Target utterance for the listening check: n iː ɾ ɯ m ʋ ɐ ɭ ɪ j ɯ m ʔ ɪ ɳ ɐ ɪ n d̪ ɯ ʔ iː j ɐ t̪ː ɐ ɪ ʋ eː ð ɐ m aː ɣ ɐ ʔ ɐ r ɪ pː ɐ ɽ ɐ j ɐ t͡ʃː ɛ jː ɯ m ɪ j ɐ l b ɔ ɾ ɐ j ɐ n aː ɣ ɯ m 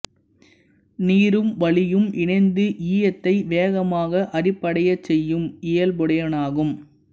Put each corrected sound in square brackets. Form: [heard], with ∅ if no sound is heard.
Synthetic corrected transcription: n iː ɾ ɯ m ʋ ɐ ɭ ɪ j ɯ m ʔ ɪ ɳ ɐ ɪ n d̪ ɯ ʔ iː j ɐ t̪ː ɐ ɪ ʋ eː [ɣ] ɐ m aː ɣ ɐ ʔ ɐ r ɪ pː ɐ ɽ ɐ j ɐ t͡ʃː ɛ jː ɯ m ɪ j ɐ l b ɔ [ɽ] ɐ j ɐ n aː ɣ ɯ m